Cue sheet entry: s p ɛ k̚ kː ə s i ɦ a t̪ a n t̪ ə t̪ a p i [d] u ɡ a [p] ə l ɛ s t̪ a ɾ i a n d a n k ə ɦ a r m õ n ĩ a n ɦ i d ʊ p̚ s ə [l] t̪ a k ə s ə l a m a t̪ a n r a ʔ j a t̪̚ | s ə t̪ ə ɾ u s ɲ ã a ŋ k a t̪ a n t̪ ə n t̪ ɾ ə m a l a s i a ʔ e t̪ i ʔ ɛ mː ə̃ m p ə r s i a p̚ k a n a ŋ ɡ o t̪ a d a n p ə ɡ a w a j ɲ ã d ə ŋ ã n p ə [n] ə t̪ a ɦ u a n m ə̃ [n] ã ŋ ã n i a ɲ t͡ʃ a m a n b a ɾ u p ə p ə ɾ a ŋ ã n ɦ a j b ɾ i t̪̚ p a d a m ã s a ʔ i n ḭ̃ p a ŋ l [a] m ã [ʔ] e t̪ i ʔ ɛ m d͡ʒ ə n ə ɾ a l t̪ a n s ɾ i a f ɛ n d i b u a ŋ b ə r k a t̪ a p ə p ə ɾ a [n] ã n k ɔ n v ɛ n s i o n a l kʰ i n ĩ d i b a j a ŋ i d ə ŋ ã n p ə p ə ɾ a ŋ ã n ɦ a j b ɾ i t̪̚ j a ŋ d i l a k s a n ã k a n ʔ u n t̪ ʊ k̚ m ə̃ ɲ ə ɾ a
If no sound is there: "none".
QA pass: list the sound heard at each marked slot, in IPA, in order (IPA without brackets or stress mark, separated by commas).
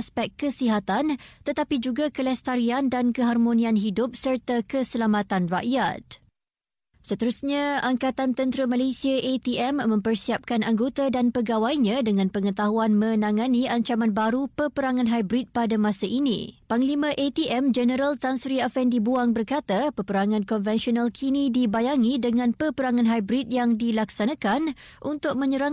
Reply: d͡ʒ, k, r, ŋ, n, i, ʔ, ŋ